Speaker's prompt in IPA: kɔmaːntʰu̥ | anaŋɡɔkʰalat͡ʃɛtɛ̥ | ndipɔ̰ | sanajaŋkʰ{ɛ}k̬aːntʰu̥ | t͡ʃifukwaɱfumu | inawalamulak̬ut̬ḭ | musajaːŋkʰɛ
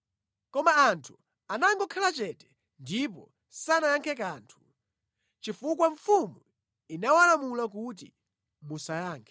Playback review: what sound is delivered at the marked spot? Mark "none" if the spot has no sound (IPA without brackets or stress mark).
ɛ